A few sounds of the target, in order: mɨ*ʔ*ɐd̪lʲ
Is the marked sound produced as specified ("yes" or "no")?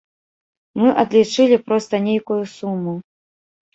yes